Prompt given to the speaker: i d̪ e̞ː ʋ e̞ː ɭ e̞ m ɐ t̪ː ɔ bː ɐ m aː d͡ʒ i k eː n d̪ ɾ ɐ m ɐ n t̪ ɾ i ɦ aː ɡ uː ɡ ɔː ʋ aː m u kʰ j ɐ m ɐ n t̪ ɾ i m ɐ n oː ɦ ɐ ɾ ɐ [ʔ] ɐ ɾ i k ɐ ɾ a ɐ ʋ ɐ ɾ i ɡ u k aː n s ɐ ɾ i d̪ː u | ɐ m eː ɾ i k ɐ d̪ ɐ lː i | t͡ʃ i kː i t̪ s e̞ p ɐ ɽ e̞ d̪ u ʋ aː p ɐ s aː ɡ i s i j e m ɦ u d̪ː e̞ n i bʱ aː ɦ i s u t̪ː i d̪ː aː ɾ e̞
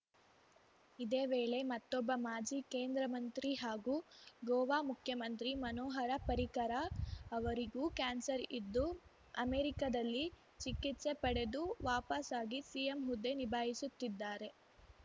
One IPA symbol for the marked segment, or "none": p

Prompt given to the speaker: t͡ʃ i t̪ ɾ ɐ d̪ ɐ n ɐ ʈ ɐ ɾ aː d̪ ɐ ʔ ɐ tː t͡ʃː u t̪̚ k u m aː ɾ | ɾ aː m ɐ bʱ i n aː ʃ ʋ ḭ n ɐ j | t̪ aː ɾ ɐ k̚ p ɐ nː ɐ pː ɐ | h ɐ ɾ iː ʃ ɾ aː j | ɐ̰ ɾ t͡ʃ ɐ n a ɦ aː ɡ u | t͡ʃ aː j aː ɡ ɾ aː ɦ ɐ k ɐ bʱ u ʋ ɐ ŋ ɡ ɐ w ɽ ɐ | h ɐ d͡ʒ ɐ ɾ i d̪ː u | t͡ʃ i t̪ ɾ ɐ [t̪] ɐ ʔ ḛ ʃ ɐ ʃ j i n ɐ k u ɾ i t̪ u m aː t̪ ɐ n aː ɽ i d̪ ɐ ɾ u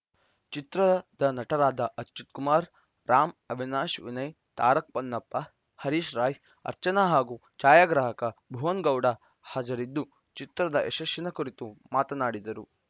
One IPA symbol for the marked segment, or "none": d̪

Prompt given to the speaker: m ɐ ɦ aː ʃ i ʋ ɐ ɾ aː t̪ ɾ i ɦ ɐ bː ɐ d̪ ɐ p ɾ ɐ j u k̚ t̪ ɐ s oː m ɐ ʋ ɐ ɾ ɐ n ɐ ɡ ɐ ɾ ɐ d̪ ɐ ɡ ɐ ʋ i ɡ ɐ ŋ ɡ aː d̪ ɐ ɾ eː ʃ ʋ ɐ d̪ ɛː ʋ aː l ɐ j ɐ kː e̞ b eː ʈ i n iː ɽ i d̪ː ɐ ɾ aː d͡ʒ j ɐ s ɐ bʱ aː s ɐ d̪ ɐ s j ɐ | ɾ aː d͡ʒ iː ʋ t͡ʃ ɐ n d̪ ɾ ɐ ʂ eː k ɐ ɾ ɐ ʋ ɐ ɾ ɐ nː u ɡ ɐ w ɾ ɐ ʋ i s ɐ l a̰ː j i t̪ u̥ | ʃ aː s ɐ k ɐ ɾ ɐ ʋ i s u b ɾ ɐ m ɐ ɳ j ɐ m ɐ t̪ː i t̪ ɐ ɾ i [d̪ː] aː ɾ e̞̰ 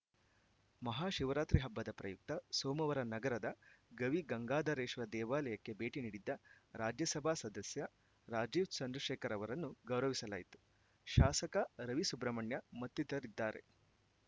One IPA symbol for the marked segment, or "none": d̪ː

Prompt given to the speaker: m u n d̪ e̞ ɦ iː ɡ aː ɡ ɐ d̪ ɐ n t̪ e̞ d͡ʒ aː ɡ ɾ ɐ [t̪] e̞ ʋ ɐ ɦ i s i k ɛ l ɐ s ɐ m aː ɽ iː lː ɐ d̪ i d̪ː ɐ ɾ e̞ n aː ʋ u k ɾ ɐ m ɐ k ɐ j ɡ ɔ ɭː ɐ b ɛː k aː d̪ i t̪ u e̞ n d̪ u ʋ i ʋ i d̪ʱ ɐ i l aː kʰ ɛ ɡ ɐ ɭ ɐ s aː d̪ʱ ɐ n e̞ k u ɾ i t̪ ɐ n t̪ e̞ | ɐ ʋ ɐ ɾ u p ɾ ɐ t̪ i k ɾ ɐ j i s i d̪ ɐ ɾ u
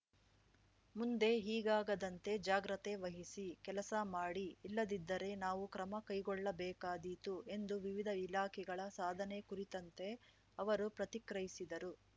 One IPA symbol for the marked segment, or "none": t̪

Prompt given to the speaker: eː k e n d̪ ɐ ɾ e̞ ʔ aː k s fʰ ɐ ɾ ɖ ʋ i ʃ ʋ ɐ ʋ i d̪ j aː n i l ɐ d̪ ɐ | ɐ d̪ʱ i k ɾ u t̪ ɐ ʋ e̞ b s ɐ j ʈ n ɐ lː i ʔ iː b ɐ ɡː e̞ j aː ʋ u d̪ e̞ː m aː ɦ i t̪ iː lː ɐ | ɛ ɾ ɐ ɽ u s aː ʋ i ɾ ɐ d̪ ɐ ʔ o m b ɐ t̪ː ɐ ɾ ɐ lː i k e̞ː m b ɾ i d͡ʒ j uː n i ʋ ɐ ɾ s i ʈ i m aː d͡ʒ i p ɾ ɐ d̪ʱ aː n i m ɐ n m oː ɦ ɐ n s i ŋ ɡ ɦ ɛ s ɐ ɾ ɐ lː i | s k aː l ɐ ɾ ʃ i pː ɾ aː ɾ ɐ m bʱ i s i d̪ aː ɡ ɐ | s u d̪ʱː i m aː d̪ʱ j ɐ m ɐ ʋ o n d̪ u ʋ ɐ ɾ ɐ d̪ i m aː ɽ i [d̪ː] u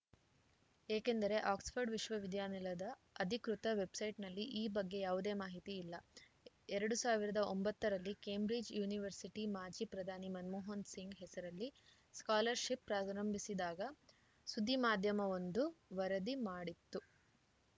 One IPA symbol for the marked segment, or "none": t̪ː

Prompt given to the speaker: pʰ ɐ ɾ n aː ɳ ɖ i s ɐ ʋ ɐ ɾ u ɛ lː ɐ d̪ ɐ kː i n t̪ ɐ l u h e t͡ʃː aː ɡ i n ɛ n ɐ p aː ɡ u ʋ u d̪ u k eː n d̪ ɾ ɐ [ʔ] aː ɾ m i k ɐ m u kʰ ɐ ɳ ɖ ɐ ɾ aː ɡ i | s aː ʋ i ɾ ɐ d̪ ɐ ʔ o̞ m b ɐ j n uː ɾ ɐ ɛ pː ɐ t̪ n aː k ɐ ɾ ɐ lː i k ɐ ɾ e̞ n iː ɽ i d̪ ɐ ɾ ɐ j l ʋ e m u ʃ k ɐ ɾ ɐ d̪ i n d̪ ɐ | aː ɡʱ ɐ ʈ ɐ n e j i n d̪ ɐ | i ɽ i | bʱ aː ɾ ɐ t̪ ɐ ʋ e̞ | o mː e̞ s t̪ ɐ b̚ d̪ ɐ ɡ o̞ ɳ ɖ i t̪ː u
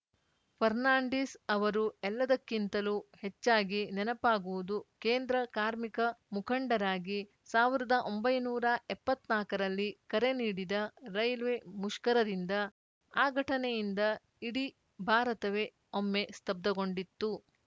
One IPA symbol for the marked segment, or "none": k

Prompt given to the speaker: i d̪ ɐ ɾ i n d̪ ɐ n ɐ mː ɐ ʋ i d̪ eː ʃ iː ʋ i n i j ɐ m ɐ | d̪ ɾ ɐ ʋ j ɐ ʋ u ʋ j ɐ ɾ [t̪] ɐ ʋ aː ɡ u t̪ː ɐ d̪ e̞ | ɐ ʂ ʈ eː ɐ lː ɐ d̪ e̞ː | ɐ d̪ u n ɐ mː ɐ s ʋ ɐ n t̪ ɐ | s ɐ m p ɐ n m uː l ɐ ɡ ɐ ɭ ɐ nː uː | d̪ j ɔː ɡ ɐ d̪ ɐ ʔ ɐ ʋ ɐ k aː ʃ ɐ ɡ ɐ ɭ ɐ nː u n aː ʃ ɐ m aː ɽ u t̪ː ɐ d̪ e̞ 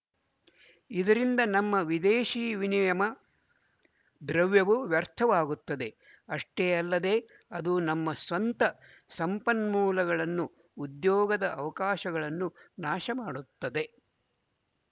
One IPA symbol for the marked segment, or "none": t̪ʰ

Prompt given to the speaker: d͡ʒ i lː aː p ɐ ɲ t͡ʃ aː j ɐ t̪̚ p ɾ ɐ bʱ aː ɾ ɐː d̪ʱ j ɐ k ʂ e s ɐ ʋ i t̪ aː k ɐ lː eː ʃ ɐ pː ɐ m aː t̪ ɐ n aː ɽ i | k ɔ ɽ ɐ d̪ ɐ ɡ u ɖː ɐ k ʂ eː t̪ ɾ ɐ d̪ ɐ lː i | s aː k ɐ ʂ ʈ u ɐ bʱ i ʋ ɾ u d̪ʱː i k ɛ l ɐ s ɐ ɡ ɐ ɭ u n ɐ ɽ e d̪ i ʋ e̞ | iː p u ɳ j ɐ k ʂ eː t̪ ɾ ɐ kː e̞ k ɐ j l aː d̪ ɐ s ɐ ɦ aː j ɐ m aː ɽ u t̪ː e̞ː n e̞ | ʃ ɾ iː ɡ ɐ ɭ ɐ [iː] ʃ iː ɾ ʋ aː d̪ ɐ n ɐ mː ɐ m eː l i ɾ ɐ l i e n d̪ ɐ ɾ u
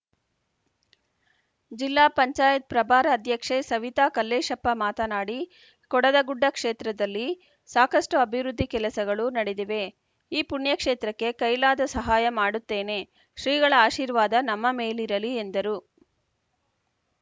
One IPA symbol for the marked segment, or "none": aː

